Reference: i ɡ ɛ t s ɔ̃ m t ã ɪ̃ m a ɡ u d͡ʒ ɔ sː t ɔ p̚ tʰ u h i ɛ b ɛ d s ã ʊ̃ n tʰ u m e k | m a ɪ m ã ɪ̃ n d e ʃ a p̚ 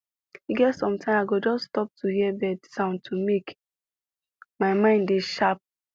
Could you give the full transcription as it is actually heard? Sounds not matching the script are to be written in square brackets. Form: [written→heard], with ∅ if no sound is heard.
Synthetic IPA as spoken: i ɡ ɛ t s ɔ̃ m t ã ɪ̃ m a ɡ [u→o] d͡ʒ ɔ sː t ɔ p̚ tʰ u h i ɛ b ɛ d s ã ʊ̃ n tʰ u m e k | m a ɪ m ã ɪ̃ n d e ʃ a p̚